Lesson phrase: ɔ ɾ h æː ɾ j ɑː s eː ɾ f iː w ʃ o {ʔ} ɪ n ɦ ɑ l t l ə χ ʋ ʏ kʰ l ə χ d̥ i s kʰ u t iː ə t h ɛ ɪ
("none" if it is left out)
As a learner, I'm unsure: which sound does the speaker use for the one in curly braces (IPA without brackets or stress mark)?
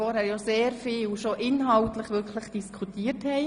ʔ